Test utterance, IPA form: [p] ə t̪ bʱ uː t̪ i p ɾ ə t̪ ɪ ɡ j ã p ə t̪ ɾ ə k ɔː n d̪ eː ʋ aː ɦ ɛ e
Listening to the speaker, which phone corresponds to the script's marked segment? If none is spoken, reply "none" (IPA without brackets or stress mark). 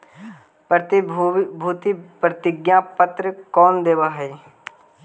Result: p